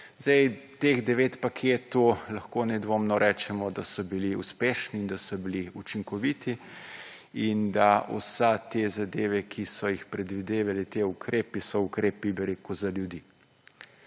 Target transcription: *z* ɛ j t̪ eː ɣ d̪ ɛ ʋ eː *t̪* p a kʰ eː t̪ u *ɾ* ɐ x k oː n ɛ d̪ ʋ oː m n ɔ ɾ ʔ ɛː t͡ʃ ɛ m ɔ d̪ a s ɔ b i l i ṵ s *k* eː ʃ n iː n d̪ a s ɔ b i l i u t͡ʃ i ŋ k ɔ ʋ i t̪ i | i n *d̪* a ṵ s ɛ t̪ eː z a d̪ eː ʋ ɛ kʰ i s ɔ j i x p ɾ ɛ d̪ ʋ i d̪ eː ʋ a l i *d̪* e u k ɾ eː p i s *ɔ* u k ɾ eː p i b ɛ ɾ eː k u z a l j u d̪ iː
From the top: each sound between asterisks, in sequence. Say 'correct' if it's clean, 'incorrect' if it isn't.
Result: correct, correct, incorrect: l, incorrect: p, correct, incorrect: t̪, correct

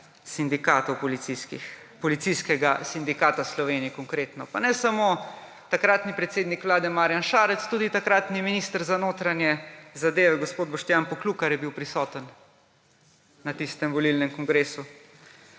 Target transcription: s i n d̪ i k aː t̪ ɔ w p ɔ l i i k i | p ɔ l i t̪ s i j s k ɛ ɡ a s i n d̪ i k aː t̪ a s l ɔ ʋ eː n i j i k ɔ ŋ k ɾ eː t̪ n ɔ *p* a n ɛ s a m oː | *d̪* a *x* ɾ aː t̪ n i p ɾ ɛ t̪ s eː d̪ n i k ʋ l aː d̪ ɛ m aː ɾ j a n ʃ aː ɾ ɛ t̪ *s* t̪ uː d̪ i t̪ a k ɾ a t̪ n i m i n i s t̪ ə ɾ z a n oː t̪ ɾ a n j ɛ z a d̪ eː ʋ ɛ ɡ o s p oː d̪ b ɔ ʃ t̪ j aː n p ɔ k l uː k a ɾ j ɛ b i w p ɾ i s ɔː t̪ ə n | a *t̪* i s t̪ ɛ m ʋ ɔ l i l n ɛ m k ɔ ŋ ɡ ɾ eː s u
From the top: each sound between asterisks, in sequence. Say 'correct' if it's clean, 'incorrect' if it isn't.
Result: correct, incorrect: t̪, incorrect: k, correct, correct

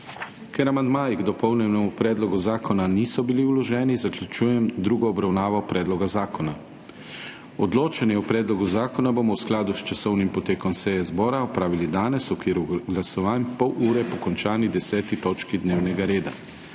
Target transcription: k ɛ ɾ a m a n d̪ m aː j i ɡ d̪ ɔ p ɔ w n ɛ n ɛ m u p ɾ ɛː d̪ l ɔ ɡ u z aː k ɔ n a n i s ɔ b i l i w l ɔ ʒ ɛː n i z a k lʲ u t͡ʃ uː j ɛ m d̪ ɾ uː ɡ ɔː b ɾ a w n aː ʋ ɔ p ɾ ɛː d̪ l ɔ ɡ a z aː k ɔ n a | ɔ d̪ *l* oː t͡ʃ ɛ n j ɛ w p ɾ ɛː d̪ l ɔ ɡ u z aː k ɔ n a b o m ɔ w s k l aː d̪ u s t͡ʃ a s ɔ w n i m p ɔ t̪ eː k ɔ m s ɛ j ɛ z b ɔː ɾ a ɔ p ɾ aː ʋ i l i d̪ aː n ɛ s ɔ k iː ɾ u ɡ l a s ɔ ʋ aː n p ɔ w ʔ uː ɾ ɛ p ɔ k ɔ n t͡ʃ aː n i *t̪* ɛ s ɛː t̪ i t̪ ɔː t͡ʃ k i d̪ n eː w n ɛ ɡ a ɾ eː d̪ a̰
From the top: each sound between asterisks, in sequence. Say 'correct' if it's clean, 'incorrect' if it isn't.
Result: correct, incorrect: d̪

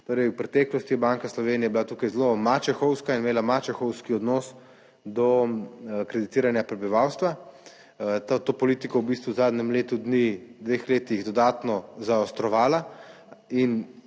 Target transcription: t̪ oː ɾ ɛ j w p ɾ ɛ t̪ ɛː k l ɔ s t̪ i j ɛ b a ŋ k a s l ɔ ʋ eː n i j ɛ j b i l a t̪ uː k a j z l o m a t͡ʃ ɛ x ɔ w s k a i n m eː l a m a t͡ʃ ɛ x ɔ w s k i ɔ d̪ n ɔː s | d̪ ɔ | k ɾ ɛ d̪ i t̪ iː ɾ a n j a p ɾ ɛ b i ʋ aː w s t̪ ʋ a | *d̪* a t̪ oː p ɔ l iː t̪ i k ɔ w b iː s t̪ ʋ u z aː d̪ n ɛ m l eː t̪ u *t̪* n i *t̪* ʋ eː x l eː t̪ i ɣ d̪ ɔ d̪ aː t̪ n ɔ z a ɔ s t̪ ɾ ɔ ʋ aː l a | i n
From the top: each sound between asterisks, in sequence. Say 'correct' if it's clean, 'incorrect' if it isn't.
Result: incorrect: t̪, incorrect: d̪, incorrect: d̪

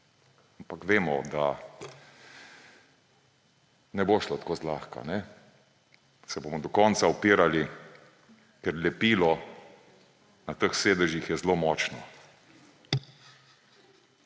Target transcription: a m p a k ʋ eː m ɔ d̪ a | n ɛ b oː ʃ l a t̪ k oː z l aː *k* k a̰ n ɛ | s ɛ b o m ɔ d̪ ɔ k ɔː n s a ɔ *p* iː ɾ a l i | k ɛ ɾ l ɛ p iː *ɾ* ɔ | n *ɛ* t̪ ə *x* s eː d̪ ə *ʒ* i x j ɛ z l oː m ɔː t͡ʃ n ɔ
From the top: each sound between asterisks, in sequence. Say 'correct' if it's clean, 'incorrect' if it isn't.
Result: incorrect: x, correct, incorrect: l, incorrect: a, correct, correct

